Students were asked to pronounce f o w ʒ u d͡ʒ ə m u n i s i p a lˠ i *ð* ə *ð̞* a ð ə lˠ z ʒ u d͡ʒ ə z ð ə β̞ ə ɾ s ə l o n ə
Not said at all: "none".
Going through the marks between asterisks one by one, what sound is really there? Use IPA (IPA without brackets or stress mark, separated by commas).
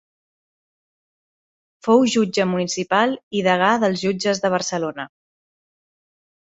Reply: ð, ɣ̞